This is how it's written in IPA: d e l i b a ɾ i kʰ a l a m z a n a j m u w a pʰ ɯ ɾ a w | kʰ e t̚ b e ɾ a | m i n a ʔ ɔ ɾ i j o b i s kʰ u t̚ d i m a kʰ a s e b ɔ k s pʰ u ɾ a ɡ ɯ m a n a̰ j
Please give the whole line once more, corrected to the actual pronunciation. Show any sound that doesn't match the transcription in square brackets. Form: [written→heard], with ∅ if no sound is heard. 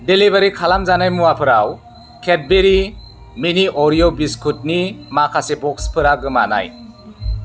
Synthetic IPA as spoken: d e l i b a ɾ i kʰ a l a m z a n a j m u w a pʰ ɯ ɾ a w | kʰ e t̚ b e ɾ [a→i] | m i n [a→i] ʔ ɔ ɾ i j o b i s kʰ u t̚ [d→n] i m a kʰ a s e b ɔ k s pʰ [u→ɯ] ɾ a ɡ ɯ m a n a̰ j

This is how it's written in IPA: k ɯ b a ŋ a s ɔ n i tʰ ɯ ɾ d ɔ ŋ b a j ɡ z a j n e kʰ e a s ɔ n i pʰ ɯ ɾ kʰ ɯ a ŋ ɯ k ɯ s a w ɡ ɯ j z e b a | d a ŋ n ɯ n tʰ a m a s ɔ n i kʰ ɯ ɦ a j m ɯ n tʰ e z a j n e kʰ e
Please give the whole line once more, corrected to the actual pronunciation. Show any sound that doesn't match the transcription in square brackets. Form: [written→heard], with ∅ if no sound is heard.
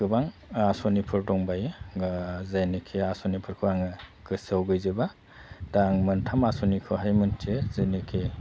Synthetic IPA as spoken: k ɯ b a ŋ a s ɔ n i [tʰ→pʰ] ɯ ɾ d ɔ ŋ b a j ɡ z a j n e kʰ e a s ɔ n i pʰ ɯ ɾ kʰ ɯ a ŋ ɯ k ɯ s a w ɡ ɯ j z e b a | d a ŋ [n→m] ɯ n tʰ a m a s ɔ n i kʰ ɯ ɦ a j m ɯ n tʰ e z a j n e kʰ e

